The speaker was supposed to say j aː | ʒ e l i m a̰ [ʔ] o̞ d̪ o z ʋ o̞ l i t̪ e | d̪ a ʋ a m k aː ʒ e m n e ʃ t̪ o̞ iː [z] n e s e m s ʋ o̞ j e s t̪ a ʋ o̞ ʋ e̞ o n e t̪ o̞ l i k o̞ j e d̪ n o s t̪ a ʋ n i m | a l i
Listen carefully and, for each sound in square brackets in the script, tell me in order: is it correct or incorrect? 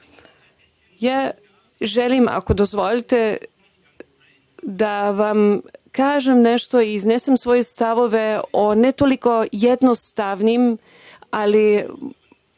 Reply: incorrect: k, correct

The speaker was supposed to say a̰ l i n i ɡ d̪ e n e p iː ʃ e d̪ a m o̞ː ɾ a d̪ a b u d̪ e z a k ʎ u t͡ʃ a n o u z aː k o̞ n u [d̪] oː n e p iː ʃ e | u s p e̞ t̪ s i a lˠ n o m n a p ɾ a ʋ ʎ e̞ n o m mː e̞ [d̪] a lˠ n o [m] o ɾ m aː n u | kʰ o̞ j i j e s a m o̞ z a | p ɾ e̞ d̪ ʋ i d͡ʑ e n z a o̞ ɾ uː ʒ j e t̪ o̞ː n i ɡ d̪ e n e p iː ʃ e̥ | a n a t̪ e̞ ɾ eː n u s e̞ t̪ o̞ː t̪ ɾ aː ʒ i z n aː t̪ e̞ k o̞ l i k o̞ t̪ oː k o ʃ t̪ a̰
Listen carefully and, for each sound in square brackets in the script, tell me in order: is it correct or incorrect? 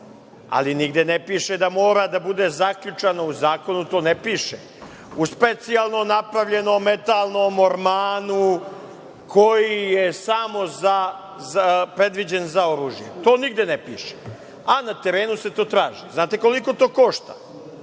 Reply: incorrect: t̪, incorrect: t̪, correct

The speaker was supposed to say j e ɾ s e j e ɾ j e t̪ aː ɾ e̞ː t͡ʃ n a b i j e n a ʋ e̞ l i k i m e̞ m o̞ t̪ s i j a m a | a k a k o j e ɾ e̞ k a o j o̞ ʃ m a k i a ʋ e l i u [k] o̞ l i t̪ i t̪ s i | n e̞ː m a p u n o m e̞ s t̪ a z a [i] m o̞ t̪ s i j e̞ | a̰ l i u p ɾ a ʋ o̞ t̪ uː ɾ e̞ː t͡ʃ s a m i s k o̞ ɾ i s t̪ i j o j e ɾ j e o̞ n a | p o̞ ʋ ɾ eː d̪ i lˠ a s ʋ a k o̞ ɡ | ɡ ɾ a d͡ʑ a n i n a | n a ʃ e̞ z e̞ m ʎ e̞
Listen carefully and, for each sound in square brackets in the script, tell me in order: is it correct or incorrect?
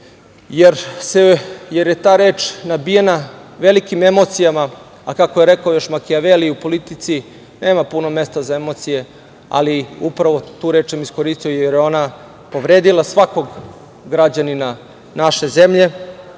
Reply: incorrect: p, incorrect: e

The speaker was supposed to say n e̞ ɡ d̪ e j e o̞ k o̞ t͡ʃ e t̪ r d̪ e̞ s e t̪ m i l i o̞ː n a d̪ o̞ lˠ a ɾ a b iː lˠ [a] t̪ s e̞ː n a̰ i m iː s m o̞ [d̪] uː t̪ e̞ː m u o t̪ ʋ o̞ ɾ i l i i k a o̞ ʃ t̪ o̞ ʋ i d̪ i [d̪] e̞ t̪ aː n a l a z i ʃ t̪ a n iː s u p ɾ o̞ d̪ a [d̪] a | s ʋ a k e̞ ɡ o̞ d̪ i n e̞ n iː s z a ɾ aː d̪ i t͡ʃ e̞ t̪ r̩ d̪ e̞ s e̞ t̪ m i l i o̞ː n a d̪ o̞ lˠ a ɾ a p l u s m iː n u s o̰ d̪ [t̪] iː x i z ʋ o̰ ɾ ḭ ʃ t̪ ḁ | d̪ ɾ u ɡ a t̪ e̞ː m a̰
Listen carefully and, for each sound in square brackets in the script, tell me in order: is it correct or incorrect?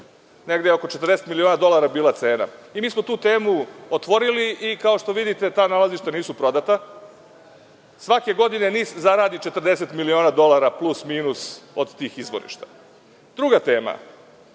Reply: correct, incorrect: t̪, incorrect: t̪, incorrect: t̪, correct

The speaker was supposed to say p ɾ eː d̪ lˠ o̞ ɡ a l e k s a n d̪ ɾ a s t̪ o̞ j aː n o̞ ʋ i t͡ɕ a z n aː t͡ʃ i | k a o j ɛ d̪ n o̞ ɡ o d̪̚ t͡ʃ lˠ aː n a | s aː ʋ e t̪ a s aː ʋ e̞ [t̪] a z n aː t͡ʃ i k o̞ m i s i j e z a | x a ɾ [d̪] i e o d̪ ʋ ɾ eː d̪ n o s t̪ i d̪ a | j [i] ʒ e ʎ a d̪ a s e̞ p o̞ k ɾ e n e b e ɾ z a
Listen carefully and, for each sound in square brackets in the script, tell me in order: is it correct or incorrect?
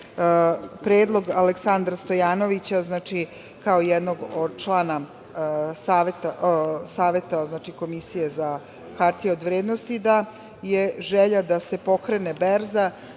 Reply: correct, incorrect: t̪, incorrect: e

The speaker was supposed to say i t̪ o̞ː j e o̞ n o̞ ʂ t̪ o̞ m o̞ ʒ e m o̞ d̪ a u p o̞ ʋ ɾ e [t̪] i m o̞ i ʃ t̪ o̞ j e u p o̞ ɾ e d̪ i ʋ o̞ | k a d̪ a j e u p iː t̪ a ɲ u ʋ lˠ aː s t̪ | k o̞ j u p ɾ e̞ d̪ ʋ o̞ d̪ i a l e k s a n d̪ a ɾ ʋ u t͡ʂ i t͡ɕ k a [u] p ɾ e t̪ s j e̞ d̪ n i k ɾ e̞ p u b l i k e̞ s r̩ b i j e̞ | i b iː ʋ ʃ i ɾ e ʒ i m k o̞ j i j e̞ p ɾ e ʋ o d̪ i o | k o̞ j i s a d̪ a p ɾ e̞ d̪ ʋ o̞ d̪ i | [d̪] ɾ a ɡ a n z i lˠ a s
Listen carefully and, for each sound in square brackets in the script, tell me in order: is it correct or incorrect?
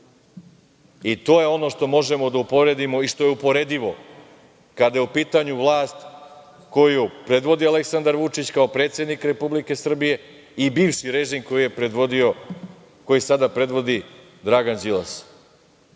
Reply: incorrect: d̪, incorrect: o, correct

